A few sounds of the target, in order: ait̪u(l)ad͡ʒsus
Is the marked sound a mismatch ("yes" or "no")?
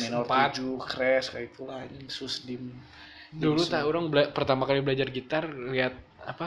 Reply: no